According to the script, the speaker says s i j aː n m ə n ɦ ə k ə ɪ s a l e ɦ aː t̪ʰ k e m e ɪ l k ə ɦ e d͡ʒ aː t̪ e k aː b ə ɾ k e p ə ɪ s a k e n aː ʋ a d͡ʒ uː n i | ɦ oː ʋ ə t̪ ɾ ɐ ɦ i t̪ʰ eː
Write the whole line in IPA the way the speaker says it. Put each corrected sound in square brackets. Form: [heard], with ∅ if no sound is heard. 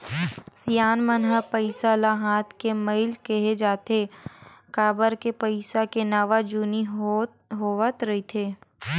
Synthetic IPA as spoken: s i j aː n m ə n ɦ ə [p] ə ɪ s a l [a] ɦ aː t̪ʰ k e m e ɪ l k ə ɦ e d͡ʒ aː t̪ e k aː b ə ɾ k e p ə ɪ s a k e n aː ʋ a d͡ʒ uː n i | ɦ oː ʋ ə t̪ ɾ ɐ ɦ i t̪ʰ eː